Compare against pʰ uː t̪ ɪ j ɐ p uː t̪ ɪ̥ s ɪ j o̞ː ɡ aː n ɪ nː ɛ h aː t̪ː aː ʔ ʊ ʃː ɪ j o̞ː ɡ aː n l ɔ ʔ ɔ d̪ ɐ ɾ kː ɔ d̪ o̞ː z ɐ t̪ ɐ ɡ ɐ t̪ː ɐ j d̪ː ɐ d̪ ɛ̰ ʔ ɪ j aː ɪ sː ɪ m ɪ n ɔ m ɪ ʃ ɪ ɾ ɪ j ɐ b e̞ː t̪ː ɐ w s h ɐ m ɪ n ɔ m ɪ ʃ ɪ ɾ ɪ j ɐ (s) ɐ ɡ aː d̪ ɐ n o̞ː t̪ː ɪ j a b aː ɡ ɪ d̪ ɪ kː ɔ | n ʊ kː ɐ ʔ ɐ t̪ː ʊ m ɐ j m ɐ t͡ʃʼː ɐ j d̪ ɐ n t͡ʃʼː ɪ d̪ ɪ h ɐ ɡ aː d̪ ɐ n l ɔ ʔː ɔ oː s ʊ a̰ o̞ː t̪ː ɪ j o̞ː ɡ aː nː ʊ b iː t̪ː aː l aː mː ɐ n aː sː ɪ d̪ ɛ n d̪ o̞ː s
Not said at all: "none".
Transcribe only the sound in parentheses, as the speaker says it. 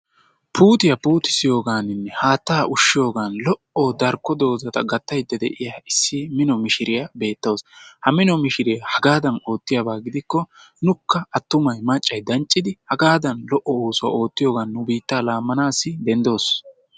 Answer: h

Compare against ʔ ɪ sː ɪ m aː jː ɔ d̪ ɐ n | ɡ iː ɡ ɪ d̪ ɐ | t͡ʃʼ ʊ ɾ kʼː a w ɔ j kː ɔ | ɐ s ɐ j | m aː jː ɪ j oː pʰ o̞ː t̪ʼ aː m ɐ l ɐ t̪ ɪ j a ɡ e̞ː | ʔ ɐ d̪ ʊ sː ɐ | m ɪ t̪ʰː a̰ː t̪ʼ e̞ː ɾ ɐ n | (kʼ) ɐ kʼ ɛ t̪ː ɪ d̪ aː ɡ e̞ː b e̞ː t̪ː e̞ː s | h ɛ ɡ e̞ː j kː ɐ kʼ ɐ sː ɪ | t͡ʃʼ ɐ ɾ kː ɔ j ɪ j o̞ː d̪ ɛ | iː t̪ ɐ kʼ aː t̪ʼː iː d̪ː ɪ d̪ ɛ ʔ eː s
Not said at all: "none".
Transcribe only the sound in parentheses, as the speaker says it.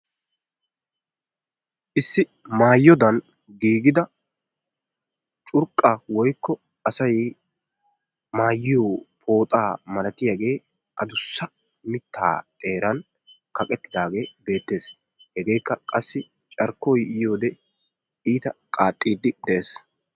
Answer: k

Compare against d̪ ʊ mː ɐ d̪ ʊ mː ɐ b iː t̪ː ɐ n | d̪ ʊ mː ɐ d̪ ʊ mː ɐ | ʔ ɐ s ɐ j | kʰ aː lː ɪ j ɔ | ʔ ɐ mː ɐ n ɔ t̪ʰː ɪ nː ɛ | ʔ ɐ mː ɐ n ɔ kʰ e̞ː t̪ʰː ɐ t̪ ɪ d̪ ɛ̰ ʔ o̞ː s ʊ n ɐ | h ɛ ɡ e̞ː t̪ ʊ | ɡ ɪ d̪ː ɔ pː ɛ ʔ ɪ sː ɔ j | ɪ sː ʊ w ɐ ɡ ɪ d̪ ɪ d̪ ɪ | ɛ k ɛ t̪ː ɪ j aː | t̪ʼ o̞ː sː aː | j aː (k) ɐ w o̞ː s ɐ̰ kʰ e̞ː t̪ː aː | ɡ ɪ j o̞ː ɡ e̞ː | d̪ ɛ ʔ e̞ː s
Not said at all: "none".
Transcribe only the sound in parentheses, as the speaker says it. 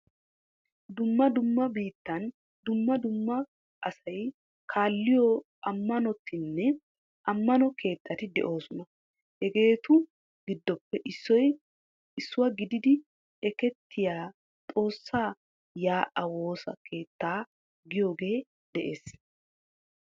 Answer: ʔ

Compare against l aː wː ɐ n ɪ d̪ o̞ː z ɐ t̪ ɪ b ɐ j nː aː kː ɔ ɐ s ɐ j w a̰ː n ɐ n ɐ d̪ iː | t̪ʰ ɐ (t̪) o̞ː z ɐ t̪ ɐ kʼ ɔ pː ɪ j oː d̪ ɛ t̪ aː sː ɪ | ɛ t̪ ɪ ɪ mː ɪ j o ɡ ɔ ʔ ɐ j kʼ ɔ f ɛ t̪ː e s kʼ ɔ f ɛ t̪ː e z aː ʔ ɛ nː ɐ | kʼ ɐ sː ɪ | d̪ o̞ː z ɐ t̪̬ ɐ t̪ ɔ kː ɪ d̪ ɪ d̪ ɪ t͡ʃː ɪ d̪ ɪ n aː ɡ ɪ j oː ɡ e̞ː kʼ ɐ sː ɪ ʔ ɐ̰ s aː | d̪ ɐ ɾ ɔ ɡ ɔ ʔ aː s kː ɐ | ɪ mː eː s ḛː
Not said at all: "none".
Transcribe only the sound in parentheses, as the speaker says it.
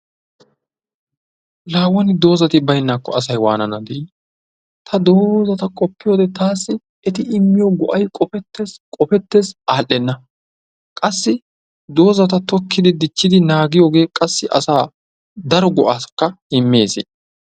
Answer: d̪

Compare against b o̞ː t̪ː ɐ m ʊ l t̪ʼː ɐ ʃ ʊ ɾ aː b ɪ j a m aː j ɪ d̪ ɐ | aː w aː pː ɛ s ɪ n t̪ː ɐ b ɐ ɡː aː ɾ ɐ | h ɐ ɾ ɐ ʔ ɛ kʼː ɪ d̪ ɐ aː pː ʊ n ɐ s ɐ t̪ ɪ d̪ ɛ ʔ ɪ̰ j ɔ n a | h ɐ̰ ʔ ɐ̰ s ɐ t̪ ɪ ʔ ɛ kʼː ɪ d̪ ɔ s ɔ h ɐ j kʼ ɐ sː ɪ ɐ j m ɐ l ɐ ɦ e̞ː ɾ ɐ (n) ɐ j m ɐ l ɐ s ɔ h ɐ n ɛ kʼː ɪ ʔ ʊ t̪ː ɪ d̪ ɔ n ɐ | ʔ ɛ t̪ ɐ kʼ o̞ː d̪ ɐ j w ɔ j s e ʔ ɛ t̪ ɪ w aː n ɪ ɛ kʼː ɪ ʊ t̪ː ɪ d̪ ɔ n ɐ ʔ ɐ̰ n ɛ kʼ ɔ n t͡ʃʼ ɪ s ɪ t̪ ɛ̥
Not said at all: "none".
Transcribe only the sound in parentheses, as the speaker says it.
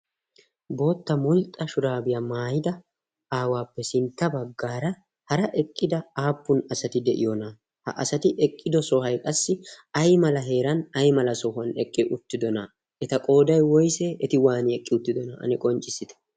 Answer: n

